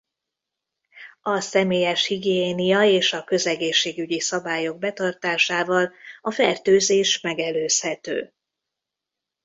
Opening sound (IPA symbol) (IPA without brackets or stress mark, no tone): ɒ